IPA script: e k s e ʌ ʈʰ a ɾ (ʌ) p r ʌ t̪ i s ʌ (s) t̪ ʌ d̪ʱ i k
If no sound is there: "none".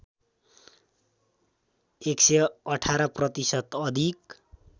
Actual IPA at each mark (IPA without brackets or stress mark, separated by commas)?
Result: ʌ, none